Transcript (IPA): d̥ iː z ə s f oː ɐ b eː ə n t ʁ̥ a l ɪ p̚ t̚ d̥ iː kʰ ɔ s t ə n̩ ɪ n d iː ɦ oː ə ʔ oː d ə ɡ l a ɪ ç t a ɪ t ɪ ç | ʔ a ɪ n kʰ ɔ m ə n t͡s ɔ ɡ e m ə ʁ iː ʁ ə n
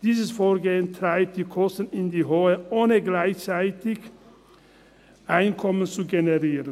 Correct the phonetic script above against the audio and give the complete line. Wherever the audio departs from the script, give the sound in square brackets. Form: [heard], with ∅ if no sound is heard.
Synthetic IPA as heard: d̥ iː z ə s f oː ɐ [ɡ] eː ə n t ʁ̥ a [∅] ɪ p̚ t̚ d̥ iː kʰ ɔ s t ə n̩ ɪ n d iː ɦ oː ə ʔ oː [n] ə ɡ l a ɪ ç [t͡s] a ɪ t ɪ ç | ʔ a ɪ n kʰ ɔ m ə n t͡s [u] ɡ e [n] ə ʁ iː ʁ ə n